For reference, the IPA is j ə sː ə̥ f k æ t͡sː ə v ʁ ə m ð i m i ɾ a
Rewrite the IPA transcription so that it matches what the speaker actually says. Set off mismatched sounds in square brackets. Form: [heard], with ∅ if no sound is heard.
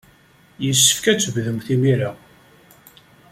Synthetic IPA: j ə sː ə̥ f k æ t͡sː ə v [ð] ə m [θ] i m i ɾ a